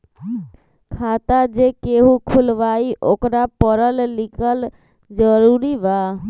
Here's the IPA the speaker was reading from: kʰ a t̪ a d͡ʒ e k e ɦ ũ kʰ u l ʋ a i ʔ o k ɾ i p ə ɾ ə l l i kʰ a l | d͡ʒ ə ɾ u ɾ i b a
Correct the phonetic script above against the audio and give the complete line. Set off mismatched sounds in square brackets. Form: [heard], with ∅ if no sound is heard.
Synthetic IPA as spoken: kʰ a t̪ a d͡ʒ e k e ɦ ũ kʰ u l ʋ a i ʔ o k ɾ [a] p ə ɾ ə l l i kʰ [ə] l | d͡ʒ ə ɾ u ɾ i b a